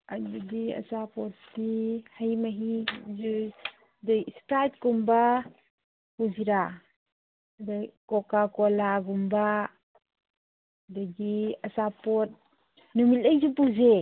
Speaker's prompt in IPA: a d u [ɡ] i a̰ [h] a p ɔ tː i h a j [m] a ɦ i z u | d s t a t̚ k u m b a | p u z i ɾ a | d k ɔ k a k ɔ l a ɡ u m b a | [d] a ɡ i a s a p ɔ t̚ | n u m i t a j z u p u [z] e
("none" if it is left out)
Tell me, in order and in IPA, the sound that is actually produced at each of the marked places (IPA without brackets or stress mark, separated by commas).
d, s, m, d, z